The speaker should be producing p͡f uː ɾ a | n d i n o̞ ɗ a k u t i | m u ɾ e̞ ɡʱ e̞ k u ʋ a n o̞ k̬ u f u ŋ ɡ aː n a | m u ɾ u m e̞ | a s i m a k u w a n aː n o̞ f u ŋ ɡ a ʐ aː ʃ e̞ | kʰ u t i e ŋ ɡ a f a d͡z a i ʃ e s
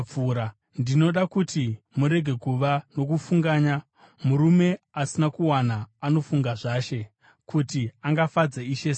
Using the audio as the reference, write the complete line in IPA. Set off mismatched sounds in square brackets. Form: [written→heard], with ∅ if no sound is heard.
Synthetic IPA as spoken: p͡f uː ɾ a | n d i n o̞ ɗ a k u t i | m u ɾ e̞ ɡʱ e̞ k u ʋ a n o̞ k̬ u f u ŋ ɡ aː [n→ɲ] a | m u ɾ u m e̞ | a s i [m→n] a k u w a n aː n o̞ f u ŋ ɡ a ʐ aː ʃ e̞ | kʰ u t i [e→a] ŋ ɡ a f a d͡z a i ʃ e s